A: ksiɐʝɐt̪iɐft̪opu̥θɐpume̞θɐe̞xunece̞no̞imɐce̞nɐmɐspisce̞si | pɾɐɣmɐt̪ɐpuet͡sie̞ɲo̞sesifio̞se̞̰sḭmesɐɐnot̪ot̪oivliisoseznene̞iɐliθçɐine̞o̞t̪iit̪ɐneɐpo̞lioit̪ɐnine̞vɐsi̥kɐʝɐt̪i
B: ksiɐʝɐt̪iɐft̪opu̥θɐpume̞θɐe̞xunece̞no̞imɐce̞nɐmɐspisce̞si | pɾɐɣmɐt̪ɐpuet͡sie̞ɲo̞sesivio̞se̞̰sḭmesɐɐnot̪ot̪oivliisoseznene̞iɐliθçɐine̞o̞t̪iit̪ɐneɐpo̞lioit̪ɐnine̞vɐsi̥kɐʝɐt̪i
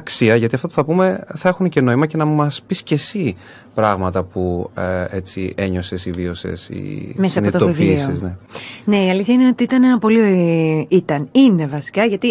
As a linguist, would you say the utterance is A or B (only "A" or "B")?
B